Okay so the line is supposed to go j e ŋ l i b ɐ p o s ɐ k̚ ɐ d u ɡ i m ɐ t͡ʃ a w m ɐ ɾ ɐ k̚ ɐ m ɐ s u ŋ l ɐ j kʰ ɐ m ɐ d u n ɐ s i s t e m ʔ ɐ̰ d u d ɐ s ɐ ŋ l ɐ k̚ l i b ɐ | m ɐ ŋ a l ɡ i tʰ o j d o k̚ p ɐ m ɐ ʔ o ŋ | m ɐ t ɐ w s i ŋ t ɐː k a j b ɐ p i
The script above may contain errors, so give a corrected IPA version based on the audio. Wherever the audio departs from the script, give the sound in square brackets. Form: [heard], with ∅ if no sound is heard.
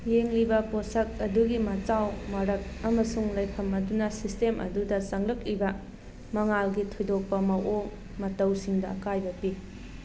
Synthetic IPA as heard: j e ŋ l i b ɐ p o s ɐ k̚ ɐ d u ɡ i m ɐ t͡ʃ a w m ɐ ɾ ɐ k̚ ɐ m ɐ s u ŋ l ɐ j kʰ ɐ m ɐ d u n ɐ s i s t e m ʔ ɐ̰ d u d ɐ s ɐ ŋ l ɐ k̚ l i b ɐ | m ɐ ŋ a l ɡ i tʰ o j d o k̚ p ɐ m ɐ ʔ o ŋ | m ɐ t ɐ w s i ŋ [d] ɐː k a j b ɐ p i